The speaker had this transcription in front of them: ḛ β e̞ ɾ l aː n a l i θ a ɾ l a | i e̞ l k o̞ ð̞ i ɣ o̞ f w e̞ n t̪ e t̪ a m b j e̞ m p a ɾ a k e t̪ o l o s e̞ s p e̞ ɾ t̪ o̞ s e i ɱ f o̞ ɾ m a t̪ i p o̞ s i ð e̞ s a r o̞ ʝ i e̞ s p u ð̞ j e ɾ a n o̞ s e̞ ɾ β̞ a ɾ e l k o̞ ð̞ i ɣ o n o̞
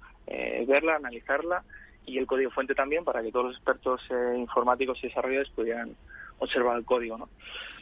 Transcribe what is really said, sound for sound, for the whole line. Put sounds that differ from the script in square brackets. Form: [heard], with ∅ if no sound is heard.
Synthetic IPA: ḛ β e̞ ɾ l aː n a l i θ a ɾ l a | i e̞ l k o̞ ð̞ i ɣ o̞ f w e̞ n t̪ e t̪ a m b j e̞ m p a ɾ a k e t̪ o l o s e̞ s p e̞ ɾ t̪ o̞ s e i ɱ f o̞ ɾ m a t̪ i [k] o̞ s i ð e̞ s a r o̞ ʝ [a] e̞ s p u ð̞ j e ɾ a n o̞ s e̞ ɾ β̞ a ɾ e l k o̞ ð̞ i ɣ o n o̞